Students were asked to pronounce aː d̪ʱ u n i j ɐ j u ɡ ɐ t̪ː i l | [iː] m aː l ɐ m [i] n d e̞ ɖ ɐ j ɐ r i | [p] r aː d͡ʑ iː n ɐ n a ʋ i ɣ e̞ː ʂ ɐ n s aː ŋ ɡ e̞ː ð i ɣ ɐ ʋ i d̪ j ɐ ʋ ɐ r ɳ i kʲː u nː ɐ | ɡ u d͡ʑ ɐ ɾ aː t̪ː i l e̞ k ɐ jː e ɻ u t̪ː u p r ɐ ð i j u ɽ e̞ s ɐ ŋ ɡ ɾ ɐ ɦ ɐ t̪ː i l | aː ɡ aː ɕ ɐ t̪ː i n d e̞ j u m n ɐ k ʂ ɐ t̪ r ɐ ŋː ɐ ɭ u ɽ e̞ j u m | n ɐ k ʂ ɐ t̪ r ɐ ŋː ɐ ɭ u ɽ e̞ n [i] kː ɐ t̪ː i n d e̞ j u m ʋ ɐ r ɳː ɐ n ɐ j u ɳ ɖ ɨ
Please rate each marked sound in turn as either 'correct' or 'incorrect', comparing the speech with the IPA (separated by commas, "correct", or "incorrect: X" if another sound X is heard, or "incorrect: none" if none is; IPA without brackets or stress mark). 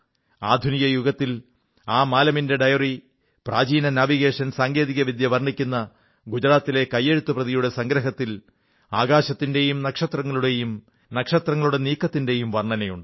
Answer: incorrect: aː, correct, correct, incorrect: iː